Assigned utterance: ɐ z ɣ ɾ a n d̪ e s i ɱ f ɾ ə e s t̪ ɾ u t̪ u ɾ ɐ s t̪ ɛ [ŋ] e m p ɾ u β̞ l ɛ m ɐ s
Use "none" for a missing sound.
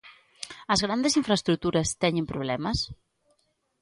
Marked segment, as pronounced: ɲ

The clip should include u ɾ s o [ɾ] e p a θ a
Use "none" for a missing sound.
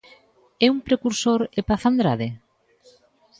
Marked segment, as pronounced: ɾ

